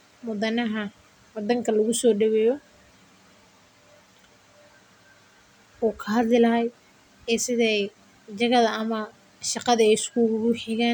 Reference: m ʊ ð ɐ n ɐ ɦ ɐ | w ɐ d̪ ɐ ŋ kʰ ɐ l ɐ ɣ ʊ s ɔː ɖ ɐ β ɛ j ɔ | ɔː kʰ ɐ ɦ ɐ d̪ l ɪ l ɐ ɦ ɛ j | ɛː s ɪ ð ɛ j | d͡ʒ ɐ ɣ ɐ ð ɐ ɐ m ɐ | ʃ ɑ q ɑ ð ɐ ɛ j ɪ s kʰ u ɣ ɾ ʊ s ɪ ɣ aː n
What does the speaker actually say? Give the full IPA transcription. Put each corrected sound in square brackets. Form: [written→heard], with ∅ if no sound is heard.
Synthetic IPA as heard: m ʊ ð ɐ n ɐ ɦ ɐ | w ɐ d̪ ɐ ŋ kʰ ɐ l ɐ ɣ ʊ s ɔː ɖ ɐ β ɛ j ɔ | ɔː kʰ ɐ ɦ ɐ d̪ l ɪ l ɐ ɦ ɛ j | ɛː s ɪ ð ɛ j | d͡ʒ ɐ ɣ ɐ ð ɐ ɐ m ɐ | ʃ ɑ q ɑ ð ɐ ɛ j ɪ s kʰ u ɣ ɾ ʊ [s→ħ] ɪ ɣ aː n